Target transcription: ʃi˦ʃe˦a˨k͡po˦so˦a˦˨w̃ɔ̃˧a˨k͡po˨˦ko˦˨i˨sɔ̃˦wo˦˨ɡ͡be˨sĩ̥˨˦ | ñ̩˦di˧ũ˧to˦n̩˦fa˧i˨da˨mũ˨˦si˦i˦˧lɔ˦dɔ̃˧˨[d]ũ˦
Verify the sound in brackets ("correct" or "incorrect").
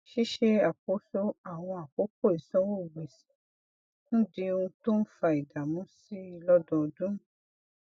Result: correct